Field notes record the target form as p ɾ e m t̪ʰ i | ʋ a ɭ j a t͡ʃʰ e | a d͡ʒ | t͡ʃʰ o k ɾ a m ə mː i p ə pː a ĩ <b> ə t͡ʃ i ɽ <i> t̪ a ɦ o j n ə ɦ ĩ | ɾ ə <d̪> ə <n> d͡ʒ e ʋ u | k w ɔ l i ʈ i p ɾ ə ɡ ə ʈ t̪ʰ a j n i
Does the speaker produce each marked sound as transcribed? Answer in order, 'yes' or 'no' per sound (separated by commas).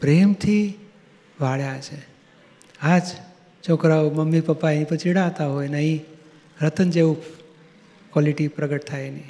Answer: no, no, no, yes